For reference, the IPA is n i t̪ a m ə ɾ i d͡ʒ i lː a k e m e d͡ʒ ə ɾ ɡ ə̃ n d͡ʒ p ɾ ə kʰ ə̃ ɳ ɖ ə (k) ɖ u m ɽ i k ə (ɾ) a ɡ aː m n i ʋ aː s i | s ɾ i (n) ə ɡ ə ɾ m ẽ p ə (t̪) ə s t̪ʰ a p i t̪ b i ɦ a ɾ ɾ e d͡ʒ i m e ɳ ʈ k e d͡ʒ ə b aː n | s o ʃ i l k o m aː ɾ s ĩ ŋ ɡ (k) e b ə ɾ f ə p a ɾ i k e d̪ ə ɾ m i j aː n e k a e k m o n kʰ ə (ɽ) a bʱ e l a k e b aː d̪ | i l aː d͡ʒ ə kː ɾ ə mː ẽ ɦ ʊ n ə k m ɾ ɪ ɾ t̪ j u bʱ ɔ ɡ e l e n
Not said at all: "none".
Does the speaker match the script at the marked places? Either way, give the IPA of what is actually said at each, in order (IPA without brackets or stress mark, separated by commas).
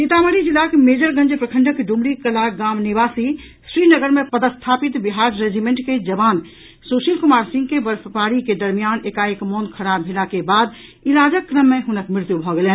k, l, n, d̪, k, ɾ